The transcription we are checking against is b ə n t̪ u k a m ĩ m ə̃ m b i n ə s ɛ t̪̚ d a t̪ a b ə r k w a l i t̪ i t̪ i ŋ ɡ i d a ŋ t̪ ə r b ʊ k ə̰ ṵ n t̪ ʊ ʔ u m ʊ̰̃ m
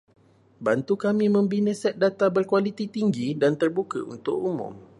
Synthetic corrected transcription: b a n t̪ u k a m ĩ m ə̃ m b i n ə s ɛ t̪̚ d a t̪ a b ə r k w a l i t̪ i t̪ i ŋ ɡ i d a n t̪ ə r b u k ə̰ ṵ n t̪ ʊ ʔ u m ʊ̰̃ m